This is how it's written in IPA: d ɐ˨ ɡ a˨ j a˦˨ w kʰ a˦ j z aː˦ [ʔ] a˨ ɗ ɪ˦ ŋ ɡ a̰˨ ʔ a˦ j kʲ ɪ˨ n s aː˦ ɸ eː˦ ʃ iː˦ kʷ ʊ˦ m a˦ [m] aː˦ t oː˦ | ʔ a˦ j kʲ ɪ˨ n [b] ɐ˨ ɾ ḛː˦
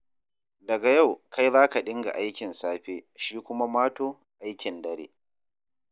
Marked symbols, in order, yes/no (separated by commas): no, yes, no